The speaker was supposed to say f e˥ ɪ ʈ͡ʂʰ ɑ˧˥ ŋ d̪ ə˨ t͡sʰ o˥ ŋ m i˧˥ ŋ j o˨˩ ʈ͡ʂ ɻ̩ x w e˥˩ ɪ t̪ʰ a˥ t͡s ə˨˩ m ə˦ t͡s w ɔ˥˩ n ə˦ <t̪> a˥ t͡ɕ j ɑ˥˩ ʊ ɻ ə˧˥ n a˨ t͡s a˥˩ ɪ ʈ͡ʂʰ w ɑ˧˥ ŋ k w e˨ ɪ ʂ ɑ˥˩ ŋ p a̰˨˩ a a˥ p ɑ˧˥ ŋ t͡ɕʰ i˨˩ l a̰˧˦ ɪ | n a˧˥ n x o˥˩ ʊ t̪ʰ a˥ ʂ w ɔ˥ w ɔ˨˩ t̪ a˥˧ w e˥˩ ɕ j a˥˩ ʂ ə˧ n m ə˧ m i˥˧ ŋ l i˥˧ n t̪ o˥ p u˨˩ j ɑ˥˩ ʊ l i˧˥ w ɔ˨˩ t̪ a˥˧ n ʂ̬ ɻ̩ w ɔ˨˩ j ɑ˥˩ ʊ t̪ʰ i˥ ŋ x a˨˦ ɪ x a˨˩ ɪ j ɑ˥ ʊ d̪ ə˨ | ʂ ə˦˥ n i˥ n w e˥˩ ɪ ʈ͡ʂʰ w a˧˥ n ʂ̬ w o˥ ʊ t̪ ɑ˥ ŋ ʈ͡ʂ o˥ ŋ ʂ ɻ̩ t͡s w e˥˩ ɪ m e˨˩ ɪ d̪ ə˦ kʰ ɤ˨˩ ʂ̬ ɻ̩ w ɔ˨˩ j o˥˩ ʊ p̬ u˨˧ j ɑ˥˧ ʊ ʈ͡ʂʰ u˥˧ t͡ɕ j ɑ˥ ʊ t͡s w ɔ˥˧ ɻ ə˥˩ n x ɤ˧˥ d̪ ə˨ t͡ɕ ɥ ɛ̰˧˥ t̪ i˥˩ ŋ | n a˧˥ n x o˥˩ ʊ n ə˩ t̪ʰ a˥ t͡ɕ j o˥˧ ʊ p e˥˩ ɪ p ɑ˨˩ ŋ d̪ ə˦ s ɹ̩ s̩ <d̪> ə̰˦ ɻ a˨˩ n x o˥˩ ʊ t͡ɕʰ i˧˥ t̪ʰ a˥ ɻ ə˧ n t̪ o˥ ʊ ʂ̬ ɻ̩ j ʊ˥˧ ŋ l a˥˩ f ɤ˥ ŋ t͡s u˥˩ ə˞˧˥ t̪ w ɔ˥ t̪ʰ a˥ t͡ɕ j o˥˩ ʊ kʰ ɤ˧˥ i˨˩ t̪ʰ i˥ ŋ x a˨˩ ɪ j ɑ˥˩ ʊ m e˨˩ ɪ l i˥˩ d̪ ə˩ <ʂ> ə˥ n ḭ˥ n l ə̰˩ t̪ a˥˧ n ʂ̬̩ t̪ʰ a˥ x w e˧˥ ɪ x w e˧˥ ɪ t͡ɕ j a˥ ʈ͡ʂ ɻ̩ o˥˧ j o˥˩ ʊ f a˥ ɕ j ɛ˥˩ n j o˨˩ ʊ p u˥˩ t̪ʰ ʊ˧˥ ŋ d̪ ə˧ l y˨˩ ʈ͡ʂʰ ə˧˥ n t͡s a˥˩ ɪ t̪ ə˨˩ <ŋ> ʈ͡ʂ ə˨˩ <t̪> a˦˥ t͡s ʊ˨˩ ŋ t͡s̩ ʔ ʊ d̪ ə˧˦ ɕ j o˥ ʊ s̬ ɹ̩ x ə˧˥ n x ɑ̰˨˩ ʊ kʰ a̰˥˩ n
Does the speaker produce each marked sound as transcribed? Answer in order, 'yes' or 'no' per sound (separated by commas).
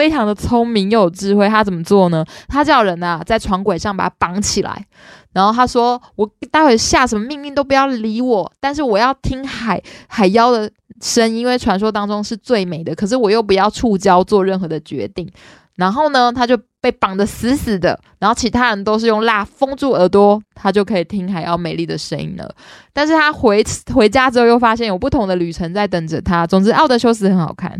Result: no, yes, yes, yes, no